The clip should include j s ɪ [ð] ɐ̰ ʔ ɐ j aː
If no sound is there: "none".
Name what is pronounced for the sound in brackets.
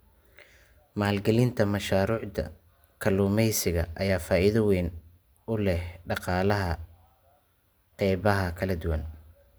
ɣ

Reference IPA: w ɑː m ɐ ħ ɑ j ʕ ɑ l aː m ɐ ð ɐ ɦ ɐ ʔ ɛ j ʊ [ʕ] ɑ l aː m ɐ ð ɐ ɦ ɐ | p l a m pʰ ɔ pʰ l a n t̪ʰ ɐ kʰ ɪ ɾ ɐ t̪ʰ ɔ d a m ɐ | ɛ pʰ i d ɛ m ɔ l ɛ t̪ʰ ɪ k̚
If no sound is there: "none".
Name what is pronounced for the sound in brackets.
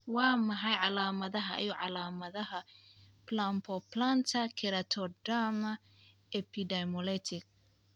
ʕ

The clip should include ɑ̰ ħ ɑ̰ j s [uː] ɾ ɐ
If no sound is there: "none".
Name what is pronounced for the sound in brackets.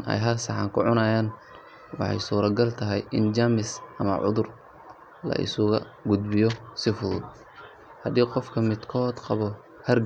uː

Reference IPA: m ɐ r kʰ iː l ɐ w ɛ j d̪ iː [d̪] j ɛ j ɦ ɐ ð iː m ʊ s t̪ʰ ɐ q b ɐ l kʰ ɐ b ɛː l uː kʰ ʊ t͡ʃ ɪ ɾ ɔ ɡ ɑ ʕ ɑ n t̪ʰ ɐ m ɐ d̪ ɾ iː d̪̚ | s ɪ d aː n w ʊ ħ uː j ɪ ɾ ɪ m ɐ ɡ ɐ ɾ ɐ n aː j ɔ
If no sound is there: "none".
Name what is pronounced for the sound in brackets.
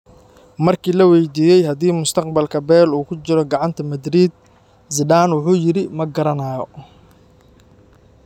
none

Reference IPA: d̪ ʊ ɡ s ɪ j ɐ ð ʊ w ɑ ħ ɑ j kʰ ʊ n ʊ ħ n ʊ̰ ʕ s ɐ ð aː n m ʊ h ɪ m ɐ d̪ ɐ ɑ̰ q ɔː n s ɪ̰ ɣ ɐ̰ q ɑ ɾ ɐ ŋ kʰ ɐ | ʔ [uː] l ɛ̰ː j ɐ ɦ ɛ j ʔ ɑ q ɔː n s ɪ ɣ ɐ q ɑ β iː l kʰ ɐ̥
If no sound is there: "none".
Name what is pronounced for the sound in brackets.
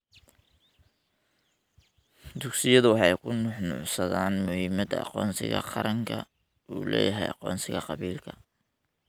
uː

